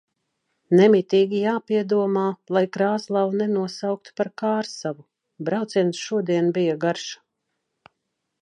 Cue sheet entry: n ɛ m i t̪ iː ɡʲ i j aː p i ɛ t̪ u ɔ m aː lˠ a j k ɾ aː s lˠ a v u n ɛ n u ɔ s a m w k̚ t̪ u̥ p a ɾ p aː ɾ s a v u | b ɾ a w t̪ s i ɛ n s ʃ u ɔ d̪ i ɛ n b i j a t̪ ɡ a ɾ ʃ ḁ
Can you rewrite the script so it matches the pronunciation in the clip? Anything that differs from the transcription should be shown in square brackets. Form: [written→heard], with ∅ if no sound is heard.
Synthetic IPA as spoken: n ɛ m i t̪ iː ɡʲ i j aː p i ɛ [t̪→d̪] u ɔ m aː lˠ a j k ɾ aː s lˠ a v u n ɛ n u ɔ s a [m→∅] w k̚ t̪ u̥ p a ɾ [p→k] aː ɾ s a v u | b ɾ a w t̪ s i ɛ n s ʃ u ɔ d̪ i ɛ n b i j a [t̪→∅] ɡ a ɾ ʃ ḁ

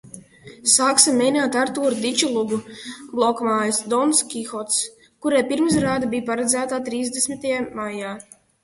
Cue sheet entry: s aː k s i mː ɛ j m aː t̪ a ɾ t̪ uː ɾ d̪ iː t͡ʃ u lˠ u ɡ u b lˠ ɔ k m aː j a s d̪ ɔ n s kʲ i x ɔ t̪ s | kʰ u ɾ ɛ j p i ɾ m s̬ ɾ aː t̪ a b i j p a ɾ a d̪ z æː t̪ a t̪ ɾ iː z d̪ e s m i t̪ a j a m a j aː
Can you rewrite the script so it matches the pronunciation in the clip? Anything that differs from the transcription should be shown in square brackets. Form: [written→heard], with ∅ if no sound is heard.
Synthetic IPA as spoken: s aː k s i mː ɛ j [m→n] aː t̪ a ɾ t̪ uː ɾ d̪ [iː→i] t͡ʃ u lˠ u ɡ u b lˠ ɔ k m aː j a s d̪ ɔ n s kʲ i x ɔ t̪ s | [kʰ→k] u ɾ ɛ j p i ɾ m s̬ ɾ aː [t̪→d̪] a b i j p a ɾ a d̪ z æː t̪ a t̪ ɾ iː z d̪ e s m i t̪ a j a m a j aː

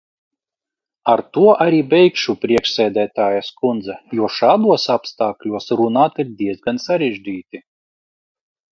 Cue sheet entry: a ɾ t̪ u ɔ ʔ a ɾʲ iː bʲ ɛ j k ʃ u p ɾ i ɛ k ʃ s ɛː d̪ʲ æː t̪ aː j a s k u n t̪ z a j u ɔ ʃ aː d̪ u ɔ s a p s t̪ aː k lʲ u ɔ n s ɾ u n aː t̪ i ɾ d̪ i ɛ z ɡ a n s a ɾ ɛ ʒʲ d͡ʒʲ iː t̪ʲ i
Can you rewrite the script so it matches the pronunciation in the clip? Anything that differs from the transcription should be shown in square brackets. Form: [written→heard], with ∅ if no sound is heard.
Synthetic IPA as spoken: a ɾ t̪ u ɔ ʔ a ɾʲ iː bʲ ɛ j k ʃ u p ɾ i ɛ k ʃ s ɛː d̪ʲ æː t̪ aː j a s k u n [t̪→d̪] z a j u ɔ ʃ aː d̪ u ɔ s a p s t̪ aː k lʲ u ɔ [n→∅] s ɾ u n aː t̪ i ɾ d̪ i ɛ z ɡ a n s a ɾ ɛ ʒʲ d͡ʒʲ iː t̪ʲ i

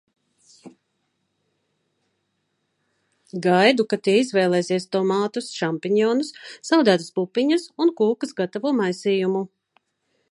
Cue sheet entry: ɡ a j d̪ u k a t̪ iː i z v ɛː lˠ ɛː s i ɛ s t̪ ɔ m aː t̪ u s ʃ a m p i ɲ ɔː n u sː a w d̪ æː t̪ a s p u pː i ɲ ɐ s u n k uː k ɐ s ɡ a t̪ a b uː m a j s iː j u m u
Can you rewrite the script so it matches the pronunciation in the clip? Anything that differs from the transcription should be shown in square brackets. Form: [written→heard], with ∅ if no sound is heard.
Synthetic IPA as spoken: ɡ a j d̪ u k a t̪ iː i z v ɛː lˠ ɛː s i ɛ s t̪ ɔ m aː t̪ u s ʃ a m p i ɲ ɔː n u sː a w d̪ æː t̪ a s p u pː i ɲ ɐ s u n k uː k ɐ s ɡ a t̪ a [b→v] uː m a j s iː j u m u

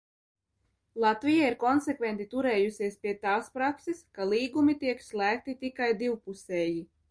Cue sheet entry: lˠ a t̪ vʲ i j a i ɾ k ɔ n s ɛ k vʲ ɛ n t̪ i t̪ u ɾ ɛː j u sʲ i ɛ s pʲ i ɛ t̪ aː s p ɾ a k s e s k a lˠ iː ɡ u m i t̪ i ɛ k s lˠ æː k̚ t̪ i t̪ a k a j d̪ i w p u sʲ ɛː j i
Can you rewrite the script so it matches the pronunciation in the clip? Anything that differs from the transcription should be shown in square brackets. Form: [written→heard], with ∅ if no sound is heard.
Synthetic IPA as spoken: lˠ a t̪ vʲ i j a i ɾ k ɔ n s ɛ k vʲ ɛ n t̪ i t̪ u ɾ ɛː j u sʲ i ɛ s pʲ i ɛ t̪ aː s p ɾ a k s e s k a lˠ iː ɡ u m i t̪ i ɛ k s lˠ æː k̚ t̪ i t̪ [a→i] k a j d̪ i w p u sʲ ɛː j i

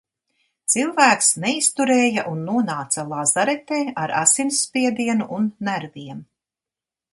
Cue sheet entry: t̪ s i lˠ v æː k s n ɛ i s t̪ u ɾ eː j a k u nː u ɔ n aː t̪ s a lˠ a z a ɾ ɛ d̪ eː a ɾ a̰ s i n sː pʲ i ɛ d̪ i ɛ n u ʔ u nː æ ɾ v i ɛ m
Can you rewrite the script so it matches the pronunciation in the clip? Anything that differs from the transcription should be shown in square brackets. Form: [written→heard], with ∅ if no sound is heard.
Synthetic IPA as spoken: t̪ s i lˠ v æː k s n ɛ i s t̪ u ɾ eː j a [k→ʔ] u nː u ɔ n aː t̪ s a lˠ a z a ɾ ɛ [d̪→t̪] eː a ɾ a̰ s i n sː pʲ i ɛ d̪ i ɛ n u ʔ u nː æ ɾ v i ɛ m

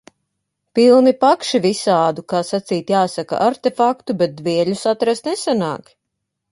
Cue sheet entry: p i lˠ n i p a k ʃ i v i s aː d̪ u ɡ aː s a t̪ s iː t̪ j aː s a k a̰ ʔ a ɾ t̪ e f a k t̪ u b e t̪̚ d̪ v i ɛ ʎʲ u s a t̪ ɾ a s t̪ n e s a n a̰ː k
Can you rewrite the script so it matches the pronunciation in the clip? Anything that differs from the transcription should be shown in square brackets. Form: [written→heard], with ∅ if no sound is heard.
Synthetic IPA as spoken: p i lˠ n i p a k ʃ i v i s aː d̪ u [ɡ→k] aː s a t̪ s iː t̪ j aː s a k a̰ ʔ a ɾ t̪ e f a k t̪ u b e t̪̚ d̪ v i ɛ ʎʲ u s a t̪ ɾ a s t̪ n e s a n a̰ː k

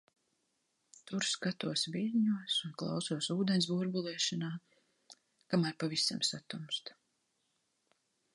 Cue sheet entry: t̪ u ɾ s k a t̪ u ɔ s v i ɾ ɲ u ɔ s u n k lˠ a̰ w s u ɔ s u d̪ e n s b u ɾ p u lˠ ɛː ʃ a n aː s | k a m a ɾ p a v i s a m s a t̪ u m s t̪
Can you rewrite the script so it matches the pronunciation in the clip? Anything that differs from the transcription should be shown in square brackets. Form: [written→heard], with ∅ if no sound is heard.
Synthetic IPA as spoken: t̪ u ɾ s k a t̪ u ɔ s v i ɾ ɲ u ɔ s u n k lˠ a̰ w s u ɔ s [u→uː] d̪ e n s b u ɾ [p→b] u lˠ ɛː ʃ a n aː [s→∅] | k a m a ɾ p a v i s a m s a t̪ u m s t̪

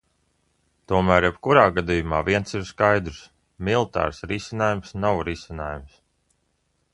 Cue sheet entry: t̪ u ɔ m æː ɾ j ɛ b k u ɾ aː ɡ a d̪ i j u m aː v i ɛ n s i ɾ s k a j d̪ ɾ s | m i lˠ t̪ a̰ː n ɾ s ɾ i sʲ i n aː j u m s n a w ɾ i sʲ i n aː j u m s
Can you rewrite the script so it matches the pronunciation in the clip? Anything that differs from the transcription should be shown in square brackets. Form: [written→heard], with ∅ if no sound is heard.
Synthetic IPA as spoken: t̪ u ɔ m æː ɾ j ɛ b k u ɾ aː ɡ a d̪ i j u m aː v i ɛ n s i ɾ s k a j d̪ ɾ s | m i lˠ t̪ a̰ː [n→∅] ɾ s ɾ i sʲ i n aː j u m s n a w ɾ i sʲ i n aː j u m s

